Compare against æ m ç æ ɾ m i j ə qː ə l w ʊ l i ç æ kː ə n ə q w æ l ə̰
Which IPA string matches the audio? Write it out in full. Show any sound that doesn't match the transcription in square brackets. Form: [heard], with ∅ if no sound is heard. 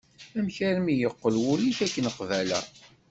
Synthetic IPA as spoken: æ m ç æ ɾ m i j ə qː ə l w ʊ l i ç æ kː ə n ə q [v] æ l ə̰